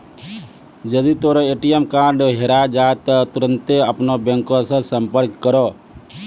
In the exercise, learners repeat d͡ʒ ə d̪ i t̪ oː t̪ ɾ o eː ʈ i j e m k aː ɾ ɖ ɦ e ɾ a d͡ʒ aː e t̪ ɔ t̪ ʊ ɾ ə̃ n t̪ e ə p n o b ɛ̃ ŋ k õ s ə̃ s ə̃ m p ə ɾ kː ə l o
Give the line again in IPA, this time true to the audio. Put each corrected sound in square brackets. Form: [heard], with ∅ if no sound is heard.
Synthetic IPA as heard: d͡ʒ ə d̪ i t̪ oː [∅] ɾ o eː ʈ i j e m k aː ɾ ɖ ɦ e ɾ a d͡ʒ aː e t̪ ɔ t̪ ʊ ɾ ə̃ n t̪ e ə p n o b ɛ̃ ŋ k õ s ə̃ s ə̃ m p ə ɾ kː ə [ɾ] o